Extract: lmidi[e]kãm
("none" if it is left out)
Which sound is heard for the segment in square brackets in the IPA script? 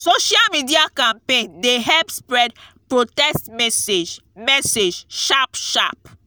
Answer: a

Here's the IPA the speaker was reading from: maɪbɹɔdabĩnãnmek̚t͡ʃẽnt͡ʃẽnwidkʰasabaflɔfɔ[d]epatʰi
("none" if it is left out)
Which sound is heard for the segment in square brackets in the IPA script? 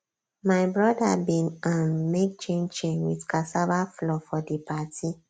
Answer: d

